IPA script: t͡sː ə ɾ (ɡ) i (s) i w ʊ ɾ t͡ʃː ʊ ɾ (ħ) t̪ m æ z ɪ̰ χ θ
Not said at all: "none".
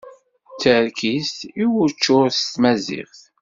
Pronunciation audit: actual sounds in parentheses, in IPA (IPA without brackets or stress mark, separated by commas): k, s, s